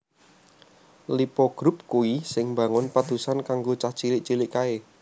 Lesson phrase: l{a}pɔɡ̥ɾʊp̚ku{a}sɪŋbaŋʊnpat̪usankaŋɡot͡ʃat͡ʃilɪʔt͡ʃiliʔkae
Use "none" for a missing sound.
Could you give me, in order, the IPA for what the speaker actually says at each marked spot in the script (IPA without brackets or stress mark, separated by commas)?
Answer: i, i